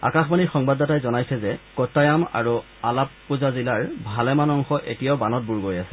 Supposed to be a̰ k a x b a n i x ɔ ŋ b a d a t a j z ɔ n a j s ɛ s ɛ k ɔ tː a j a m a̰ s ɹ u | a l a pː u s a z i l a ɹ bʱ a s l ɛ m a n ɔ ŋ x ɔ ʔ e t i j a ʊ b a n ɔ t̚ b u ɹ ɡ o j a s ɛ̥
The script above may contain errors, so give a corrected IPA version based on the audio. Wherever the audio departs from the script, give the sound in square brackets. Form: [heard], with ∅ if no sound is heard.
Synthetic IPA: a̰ k a x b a n i x ɔ ŋ b a d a t a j z ɔ n a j s ɛ [z] ɛ k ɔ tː a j a m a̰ [∅] ɹ u | a l a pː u [z] a z i l a ɹ bʱ a [∅] l ɛ m a n ɔ ŋ x ɔ ʔ e t i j a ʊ b a n ɔ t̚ b u ɹ ɡ o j a s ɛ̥